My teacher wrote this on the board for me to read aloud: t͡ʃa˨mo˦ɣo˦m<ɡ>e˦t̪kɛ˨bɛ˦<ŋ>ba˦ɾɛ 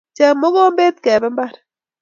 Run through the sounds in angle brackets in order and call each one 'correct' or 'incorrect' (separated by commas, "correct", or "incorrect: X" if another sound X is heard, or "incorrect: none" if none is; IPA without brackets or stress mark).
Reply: incorrect: b, incorrect: m